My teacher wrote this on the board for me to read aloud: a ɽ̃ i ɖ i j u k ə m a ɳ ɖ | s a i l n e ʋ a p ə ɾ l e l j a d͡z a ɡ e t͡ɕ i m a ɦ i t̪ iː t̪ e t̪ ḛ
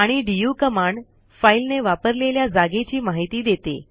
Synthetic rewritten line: a ɽ̃ i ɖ i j u k ə m a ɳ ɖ | f a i l n e ʋ a p ə ɾ l e l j a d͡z a ɡ e t͡ɕ iː m a ɦ i t̪ iː d̪ e t̪ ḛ